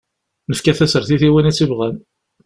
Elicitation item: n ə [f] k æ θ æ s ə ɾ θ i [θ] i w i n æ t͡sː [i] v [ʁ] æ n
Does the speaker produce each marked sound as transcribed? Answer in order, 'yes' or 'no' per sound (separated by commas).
yes, yes, yes, yes